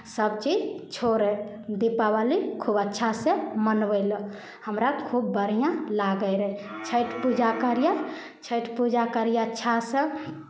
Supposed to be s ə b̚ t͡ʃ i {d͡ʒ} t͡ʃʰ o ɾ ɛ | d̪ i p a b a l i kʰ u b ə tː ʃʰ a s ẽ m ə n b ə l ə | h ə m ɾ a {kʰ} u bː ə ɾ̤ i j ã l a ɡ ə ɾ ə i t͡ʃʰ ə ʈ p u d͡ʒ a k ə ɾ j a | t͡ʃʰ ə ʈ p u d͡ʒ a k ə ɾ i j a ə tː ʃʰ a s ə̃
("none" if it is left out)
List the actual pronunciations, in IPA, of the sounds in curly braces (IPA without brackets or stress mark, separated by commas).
d͡ʒ, kʰ